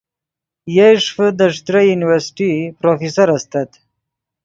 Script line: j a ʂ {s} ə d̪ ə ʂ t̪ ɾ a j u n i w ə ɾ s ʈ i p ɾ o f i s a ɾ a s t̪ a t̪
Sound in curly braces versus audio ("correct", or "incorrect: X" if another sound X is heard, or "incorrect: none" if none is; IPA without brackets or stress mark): incorrect: f